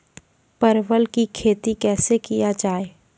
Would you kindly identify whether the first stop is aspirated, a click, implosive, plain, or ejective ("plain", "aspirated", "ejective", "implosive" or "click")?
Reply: plain